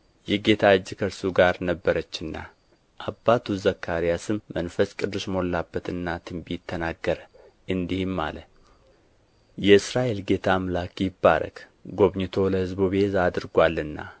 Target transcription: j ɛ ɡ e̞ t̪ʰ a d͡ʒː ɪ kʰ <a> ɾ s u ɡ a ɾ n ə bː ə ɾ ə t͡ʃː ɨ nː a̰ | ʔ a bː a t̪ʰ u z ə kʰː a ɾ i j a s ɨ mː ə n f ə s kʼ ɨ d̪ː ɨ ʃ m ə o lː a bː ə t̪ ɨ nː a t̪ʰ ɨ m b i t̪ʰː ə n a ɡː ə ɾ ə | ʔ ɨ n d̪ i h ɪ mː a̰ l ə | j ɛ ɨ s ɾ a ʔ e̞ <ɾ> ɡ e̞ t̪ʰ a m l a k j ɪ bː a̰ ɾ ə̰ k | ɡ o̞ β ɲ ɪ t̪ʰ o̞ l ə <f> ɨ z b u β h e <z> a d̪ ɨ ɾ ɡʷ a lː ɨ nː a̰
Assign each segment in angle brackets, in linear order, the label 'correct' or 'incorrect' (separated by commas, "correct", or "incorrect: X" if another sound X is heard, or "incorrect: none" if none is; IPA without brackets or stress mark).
incorrect: ə, incorrect: l, incorrect: h, correct